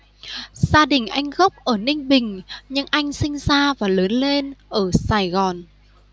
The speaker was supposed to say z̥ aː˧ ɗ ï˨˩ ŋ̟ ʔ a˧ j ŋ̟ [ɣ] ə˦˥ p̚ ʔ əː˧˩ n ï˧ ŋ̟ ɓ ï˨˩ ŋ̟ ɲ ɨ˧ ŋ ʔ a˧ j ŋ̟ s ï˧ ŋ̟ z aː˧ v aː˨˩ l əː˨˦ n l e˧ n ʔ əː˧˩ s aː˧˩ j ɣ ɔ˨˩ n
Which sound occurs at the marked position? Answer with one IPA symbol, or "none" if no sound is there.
ɣ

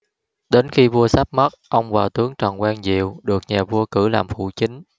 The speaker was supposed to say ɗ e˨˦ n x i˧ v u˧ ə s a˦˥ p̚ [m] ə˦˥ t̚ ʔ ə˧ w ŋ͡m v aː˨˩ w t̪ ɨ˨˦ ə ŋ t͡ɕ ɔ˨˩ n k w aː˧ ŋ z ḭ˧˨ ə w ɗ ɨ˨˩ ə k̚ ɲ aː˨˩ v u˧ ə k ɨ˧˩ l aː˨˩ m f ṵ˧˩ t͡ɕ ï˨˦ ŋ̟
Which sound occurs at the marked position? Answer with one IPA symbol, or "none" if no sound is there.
m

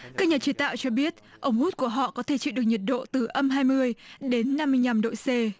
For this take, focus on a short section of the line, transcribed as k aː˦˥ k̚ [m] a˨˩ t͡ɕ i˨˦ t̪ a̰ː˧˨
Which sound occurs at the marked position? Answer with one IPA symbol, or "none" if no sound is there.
ɲ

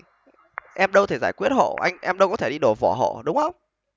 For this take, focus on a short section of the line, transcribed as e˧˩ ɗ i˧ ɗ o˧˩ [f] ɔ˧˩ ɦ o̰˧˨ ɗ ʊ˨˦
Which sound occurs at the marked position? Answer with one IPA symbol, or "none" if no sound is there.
v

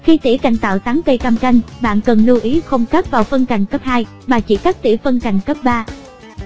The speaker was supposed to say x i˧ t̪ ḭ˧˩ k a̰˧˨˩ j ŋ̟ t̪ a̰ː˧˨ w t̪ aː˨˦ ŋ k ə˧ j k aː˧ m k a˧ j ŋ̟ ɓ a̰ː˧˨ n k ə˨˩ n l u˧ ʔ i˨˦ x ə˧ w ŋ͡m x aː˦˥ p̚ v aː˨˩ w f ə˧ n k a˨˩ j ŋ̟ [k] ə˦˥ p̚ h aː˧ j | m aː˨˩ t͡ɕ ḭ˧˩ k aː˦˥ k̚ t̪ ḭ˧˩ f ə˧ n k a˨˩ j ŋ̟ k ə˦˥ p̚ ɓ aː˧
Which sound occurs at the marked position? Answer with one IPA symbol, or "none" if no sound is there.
k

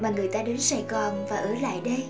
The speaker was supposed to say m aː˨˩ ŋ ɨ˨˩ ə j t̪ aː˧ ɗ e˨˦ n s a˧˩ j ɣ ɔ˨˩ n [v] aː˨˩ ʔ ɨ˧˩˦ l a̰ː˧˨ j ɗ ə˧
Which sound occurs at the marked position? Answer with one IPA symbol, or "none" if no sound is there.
v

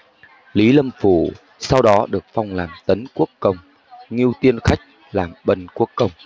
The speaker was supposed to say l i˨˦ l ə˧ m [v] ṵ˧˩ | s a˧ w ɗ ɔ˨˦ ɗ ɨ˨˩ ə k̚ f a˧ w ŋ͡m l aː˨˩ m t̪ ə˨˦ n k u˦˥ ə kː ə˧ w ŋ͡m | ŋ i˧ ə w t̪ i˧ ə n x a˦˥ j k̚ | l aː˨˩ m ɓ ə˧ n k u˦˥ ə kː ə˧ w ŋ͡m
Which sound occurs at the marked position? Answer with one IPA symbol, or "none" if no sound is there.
f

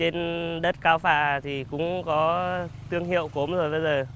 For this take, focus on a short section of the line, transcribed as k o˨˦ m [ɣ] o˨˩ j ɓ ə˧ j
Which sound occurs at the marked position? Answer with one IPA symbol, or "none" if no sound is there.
z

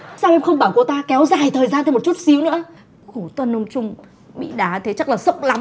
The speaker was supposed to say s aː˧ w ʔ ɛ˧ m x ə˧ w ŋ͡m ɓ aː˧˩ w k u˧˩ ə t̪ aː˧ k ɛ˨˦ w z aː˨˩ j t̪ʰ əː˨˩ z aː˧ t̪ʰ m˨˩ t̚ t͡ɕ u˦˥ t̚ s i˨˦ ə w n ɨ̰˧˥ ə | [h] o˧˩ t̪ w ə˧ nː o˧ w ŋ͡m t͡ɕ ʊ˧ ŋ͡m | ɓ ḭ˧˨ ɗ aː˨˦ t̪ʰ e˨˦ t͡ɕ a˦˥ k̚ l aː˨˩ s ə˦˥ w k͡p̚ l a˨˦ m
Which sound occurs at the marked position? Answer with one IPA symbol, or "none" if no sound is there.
x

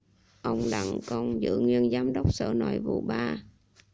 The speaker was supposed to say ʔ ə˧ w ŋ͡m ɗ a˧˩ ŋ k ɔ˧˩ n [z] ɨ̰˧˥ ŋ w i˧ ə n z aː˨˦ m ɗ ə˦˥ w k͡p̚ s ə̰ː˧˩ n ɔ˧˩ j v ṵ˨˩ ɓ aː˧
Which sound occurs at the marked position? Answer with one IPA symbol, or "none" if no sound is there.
z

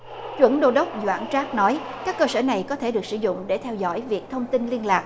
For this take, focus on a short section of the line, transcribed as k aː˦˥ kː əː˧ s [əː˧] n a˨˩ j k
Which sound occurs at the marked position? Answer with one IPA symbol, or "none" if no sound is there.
əː˧˩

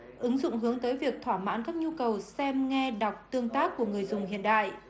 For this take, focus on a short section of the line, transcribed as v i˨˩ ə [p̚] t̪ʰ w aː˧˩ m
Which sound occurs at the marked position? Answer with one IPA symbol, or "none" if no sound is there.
k̚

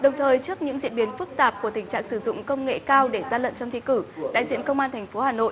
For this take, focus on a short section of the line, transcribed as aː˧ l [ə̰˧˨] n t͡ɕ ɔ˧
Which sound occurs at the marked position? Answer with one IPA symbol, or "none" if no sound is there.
ə̰˧˨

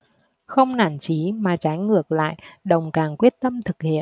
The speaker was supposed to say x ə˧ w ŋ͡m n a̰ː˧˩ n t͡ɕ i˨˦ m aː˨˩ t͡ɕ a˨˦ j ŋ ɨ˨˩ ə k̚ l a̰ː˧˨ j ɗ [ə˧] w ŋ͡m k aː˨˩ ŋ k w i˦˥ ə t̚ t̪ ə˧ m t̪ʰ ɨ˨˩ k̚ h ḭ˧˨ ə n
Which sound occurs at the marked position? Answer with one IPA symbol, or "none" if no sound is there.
ə˨˩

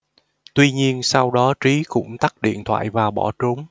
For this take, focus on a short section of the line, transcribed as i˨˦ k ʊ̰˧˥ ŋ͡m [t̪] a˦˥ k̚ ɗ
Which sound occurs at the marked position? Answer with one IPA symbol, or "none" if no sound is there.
t̪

